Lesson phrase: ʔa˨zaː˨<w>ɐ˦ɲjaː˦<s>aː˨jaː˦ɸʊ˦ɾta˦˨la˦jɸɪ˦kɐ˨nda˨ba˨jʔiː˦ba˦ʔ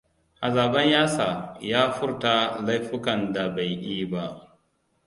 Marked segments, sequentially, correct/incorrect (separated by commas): incorrect, correct